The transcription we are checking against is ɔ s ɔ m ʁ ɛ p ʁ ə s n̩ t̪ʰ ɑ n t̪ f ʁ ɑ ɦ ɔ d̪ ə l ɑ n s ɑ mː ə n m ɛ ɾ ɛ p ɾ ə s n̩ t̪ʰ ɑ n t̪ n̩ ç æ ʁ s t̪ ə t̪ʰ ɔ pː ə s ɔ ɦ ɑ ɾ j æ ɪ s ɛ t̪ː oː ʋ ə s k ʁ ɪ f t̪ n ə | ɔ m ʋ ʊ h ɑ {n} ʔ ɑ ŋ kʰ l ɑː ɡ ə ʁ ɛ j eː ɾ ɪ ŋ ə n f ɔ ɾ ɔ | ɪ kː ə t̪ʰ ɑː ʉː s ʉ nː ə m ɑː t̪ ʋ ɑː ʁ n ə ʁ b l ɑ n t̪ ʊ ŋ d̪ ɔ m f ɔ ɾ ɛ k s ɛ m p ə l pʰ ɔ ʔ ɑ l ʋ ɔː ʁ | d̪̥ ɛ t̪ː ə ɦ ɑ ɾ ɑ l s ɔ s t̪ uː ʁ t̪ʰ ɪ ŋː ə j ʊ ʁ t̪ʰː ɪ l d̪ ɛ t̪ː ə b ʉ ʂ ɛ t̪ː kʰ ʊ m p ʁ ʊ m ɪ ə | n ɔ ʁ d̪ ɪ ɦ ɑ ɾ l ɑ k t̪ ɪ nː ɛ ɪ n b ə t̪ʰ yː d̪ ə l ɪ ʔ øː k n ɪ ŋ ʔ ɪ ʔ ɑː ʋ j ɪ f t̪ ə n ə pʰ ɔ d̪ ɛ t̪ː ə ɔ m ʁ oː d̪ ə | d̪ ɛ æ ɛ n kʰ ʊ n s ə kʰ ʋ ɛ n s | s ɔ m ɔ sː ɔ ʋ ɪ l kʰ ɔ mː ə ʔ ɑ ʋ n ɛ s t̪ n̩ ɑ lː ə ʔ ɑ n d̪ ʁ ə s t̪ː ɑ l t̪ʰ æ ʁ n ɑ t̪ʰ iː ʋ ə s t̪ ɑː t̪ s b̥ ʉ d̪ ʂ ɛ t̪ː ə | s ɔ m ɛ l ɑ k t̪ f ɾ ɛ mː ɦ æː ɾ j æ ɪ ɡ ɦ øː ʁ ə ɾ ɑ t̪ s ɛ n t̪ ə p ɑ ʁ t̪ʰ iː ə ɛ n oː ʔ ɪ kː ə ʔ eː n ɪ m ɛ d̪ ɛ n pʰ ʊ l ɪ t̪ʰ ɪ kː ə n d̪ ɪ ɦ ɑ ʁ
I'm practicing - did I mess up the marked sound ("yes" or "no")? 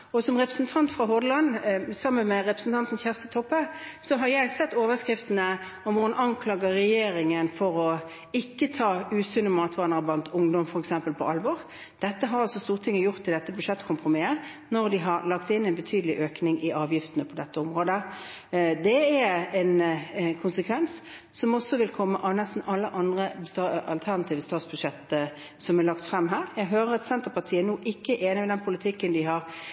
no